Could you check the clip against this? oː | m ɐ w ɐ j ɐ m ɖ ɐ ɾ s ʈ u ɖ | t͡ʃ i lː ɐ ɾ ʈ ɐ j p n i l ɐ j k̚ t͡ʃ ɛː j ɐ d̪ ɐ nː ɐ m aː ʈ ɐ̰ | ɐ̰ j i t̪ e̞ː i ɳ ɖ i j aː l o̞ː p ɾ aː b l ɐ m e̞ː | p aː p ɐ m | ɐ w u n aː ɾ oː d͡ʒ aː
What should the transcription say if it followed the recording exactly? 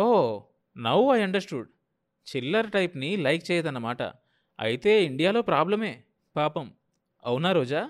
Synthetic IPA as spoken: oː | n ɐ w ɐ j ɐ ɳ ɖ ɐ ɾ s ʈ u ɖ | t͡ʃ i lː ɐ ɾ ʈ ɐ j p n i l ɐ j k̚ t͡ʃ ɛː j ɐ d̪ ɐ nː ɐ m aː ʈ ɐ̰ | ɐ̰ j i t̪ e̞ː i ɳ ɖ i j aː l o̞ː p ɾ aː b l ɐ m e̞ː | p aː p ɐ m | ɐ w u n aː ɾ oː d͡ʒ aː